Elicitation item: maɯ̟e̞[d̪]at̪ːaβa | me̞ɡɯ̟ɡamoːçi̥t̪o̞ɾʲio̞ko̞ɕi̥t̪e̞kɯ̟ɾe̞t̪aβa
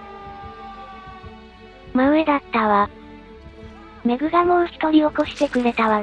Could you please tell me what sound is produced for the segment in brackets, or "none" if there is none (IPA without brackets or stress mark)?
d̪